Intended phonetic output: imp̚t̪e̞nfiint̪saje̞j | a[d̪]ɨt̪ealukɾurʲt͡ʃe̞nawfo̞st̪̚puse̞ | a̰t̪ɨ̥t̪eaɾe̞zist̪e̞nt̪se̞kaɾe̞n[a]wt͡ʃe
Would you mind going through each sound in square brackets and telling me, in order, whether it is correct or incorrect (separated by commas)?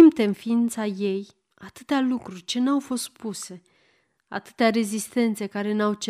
incorrect, correct